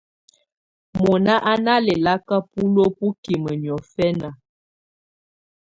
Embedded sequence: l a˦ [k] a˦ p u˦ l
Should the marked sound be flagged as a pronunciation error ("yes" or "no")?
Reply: no